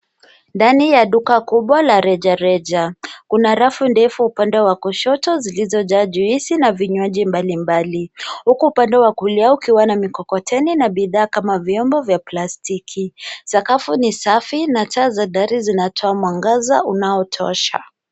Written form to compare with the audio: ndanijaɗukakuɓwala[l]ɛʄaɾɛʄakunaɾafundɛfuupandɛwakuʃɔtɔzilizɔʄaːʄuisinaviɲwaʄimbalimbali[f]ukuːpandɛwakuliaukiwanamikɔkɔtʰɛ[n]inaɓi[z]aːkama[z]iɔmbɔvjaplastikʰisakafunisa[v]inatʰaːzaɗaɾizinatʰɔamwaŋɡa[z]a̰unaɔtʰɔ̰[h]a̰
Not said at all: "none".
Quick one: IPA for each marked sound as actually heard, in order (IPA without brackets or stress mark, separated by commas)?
ɾ, h, n, ð, v, f, z, ʃ